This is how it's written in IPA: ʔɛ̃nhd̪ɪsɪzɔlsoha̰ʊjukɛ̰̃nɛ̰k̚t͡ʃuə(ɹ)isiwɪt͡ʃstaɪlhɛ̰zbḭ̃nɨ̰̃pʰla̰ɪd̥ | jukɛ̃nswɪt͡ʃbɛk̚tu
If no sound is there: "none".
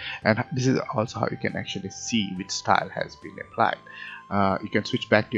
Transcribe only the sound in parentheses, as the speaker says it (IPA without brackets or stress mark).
l